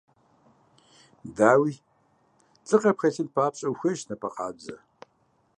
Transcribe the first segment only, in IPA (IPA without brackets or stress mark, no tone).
d